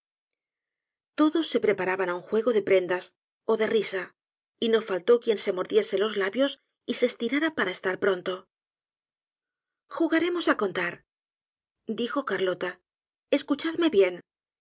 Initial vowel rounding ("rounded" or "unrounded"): rounded